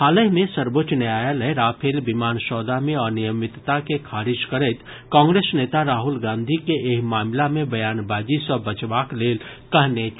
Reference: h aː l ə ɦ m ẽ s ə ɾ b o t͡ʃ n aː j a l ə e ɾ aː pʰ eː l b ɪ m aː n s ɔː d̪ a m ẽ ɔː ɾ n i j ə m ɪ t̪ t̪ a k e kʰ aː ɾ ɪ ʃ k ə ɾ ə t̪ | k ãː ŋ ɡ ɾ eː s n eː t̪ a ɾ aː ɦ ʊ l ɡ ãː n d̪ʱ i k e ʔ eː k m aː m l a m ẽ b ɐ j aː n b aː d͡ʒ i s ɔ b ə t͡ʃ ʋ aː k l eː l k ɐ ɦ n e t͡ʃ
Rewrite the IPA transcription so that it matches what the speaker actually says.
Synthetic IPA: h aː l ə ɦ m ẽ s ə ɾ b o t͡ʃ n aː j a l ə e ɾ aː pʰ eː l b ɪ m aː n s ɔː d̪ a m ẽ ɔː ɾ n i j ə m ɪ t̪ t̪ a k e kʰ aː ɾ ɪ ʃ k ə ɾ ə t̪ | k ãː ŋ ɡ ɾ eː s n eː t̪ a ɾ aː ɦ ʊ l ɡ ãː n d̪ʱ i k e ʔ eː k m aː m l a m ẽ b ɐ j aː n b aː d͡ʒ i s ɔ b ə t͡ʃ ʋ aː k l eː l k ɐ ɦ n e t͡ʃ